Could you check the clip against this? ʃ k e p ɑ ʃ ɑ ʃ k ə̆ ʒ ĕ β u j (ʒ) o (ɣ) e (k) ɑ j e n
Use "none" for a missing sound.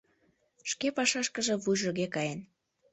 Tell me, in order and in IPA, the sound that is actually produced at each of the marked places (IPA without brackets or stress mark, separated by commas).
ʒ, ɣ, k